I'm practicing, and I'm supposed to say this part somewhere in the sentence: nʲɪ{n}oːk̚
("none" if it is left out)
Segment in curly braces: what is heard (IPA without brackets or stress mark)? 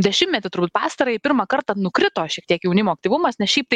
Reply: m